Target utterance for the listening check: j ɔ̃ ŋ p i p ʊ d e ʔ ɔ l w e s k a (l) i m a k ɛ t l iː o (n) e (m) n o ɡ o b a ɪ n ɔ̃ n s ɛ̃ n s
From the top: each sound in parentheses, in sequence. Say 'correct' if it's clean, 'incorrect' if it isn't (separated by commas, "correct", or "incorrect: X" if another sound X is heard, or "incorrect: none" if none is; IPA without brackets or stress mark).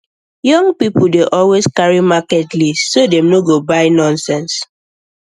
incorrect: ɹ, incorrect: d, correct